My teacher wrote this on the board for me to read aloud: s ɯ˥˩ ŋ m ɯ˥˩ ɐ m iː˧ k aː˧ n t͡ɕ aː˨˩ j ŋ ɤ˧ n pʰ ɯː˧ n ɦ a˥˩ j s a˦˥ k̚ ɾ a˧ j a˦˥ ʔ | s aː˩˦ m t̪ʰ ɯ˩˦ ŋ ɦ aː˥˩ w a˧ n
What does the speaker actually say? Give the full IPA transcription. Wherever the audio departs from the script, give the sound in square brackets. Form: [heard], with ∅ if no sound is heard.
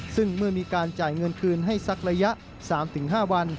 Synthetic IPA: s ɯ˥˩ ŋ m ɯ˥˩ ɐ m iː˧ k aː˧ n t͡ɕ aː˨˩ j ŋ ɤ˧ n [kʰ] ɯː˧ n ɦ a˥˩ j s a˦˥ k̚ ɾ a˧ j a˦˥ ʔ | s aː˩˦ m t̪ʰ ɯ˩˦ ŋ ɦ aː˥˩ w a˧ n

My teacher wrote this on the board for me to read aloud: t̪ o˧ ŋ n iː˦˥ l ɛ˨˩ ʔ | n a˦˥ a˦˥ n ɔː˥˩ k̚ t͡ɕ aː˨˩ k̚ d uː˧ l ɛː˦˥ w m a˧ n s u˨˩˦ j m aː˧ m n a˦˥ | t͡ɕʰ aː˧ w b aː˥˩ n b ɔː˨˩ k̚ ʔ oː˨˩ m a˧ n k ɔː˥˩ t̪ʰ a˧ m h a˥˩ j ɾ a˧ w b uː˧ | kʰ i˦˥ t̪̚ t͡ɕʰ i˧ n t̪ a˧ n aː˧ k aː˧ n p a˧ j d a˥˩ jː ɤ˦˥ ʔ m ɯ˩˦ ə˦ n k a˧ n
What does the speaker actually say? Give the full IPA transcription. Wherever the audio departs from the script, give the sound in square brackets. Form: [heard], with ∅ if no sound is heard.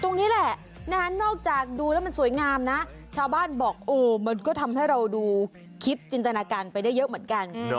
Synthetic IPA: t̪ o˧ ŋ n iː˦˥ l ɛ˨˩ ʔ | n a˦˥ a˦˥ n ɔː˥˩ k̚ t͡ɕ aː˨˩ k̚ d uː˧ l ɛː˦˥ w m a˧ n s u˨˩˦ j [ŋ] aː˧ m n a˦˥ | t͡ɕʰ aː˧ w b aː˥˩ n b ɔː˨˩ k̚ ʔ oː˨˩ m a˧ n k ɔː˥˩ t̪ʰ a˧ m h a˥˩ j ɾ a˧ w [d] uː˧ | kʰ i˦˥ t̪̚ [t͡ɕ] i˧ n t̪ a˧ n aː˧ k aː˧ n p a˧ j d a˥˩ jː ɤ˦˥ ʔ m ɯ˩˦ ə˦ n k a˧ n

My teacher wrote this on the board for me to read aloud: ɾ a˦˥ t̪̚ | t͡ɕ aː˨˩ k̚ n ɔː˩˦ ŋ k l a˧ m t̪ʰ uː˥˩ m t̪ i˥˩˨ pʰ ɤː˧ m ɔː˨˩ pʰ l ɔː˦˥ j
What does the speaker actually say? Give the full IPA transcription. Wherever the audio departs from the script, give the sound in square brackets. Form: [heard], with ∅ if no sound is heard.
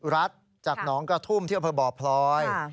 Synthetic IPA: ɾ a˦˥ t̪̚ | t͡ɕ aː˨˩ k̚ n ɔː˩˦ ŋ k [ɾ] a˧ [∅] t̪ʰ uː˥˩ m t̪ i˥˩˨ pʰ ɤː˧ [b] ɔː˨˩ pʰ l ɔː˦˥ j

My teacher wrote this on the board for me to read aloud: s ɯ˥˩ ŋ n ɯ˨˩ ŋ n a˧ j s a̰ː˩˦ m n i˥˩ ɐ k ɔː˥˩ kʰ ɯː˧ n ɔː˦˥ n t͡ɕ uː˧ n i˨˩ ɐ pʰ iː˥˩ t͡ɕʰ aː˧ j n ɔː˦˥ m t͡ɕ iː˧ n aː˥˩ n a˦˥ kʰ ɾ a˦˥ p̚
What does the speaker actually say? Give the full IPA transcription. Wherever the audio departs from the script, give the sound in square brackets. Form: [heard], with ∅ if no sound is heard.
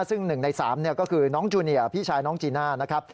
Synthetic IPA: s ɯ˥˩ ŋ n ɯ˨˩ ŋ n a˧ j s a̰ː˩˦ m n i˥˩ ɐ k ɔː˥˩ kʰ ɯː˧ n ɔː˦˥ [ŋ] t͡ɕ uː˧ n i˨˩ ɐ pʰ iː˥˩ t͡ɕʰ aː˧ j n ɔː˦˥ [ŋ] t͡ɕ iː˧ n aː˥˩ n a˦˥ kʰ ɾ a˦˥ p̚

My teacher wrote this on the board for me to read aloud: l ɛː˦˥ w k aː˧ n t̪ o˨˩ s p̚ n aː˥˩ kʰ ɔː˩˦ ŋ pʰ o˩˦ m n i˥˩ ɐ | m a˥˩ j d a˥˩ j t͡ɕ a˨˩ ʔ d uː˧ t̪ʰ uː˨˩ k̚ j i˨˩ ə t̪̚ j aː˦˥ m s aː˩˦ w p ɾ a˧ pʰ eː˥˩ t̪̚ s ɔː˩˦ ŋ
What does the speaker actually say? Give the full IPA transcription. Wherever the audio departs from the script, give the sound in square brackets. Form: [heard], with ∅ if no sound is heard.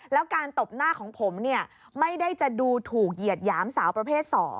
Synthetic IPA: l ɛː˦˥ w k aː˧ n t̪ o˨˩ [∅] p̚ n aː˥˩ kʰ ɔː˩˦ ŋ pʰ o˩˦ m n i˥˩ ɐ | m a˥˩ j d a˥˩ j t͡ɕ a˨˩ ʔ d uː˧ t̪ʰ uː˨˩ k̚ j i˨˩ ə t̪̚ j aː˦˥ m s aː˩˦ w p ɾ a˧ pʰ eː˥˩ t̪̚ s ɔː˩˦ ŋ

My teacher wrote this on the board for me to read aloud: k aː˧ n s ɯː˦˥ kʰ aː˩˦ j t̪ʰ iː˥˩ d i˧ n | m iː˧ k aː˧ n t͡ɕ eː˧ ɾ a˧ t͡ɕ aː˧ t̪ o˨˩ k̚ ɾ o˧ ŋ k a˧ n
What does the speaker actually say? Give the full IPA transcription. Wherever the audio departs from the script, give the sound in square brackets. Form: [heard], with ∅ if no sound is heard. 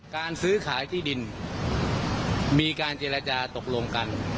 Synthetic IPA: k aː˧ n s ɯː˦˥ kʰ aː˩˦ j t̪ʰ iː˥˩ d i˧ n | m iː˧ k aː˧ n t͡ɕ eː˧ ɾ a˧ t͡ɕ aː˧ t̪ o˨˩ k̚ [l] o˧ ŋ k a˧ n

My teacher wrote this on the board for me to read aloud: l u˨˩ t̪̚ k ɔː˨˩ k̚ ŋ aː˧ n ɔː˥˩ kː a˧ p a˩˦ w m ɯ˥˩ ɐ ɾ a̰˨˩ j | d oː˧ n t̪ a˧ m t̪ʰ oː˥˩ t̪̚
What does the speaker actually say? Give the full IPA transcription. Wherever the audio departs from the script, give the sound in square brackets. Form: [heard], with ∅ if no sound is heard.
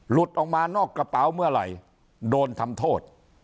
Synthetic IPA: l u˨˩ t̪̚ [ʔ] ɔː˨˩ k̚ [m] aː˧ n ɔː˥˩ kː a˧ p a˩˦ w m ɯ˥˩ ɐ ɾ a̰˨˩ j | d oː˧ n [t̪ʰ] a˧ m t̪ʰ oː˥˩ t̪̚

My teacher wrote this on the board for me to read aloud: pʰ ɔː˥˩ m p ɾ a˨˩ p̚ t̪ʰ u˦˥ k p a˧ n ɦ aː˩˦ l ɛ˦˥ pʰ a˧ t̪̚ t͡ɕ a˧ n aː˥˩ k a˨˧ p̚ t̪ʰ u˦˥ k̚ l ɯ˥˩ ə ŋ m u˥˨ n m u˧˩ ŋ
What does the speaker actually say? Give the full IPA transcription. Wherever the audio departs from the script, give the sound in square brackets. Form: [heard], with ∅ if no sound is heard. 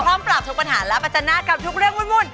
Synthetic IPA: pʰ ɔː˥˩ m p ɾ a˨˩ p̚ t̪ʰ u˦˥ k p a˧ n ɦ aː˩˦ l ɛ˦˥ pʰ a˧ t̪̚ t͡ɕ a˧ n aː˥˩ k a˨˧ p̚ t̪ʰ u˦˥ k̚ [ɾ] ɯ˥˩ ə ŋ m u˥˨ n m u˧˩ [n]

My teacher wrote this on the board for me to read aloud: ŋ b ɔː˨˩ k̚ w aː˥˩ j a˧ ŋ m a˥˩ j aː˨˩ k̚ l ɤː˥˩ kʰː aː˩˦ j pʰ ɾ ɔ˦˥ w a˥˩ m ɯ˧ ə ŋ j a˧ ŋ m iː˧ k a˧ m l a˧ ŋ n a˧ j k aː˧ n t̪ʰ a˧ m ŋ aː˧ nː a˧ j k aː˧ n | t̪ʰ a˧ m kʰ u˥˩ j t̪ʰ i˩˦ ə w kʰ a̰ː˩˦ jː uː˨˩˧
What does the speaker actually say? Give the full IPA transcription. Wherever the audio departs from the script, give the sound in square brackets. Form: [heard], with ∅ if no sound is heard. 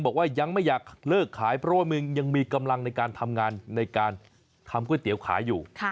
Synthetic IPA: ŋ b ɔː˨˩ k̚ w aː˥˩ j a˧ ŋ m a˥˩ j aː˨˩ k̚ l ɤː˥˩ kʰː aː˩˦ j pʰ ɾ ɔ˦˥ w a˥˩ m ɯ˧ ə ŋ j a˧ ŋ m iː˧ k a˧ m l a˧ ŋ n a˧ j k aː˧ n t̪ʰ a˧ m ŋ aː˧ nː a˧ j k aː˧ n | t̪ʰ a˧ m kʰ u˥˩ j [t̪] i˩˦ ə w kʰ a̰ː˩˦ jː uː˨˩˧

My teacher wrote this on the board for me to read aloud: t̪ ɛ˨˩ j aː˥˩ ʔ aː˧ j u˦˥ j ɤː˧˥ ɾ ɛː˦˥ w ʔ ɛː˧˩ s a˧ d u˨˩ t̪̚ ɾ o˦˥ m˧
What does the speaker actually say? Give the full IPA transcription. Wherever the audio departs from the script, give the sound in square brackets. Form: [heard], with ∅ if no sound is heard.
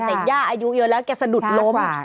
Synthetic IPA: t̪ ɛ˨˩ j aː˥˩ ʔ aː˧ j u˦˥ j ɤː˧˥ [l] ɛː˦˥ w [k] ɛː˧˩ s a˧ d u˨˩ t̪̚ [l] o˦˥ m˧

